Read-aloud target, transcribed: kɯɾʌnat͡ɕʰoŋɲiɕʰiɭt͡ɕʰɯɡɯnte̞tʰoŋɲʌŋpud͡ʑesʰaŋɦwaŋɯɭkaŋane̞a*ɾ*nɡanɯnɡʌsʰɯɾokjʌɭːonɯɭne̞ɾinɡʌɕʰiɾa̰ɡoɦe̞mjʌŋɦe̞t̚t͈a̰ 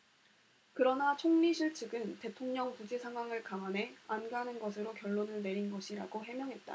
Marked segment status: incorrect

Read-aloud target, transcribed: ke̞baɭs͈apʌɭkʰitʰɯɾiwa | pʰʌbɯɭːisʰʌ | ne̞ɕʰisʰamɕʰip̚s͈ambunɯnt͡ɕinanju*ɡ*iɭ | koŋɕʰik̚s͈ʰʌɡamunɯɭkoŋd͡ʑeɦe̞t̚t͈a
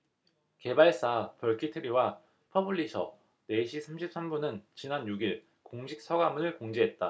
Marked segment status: correct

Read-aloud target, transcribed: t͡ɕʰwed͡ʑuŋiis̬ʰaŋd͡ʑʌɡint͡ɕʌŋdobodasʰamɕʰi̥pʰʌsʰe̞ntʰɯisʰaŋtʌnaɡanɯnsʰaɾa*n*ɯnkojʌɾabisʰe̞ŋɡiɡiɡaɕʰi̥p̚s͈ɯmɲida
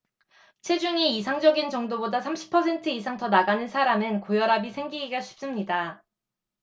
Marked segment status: incorrect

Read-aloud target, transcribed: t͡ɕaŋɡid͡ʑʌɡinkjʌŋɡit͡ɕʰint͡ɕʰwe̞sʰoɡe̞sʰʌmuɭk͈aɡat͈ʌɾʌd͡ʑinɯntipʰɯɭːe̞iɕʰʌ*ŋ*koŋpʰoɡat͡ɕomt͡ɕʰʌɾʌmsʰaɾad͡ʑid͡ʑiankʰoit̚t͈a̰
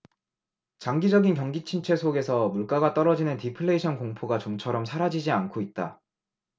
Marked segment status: incorrect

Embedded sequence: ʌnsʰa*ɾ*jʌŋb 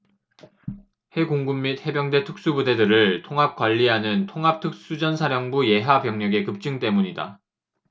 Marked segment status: correct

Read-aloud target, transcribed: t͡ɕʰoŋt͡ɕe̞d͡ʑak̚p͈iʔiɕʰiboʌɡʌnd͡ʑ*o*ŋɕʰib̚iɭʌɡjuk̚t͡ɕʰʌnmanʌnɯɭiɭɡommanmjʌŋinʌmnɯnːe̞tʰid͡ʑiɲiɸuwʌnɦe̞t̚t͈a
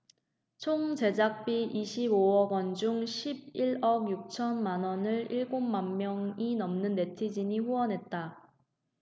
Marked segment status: incorrect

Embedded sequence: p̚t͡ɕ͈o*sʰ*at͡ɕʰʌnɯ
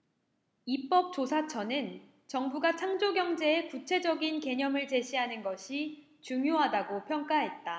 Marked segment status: correct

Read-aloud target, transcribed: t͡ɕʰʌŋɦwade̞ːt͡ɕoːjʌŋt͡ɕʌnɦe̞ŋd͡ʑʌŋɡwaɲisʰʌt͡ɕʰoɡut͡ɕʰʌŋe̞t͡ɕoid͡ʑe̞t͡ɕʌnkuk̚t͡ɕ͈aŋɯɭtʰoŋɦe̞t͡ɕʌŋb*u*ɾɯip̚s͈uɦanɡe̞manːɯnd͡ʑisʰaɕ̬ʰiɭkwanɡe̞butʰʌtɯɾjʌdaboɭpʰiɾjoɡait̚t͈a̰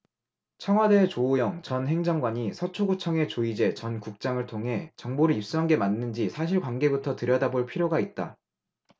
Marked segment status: incorrect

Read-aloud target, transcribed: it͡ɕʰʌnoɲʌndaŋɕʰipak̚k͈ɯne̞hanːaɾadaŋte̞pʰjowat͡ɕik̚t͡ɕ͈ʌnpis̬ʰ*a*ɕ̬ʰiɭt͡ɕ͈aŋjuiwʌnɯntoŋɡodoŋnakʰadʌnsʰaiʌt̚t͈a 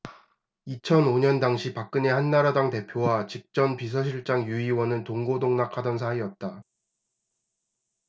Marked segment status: incorrect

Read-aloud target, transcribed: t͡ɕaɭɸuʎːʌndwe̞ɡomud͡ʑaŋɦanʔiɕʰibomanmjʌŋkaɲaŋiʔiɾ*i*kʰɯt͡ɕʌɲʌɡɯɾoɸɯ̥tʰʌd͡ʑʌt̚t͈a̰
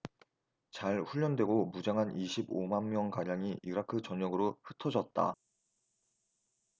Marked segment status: incorrect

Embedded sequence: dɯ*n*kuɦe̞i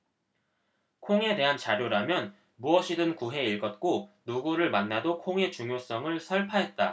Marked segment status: correct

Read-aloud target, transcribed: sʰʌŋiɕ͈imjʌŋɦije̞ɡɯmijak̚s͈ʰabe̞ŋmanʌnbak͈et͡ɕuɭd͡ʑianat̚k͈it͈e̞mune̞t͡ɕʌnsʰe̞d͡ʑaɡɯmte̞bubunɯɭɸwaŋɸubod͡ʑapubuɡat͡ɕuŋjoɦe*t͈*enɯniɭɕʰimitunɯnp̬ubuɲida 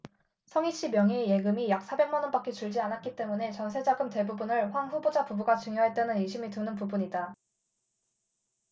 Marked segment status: correct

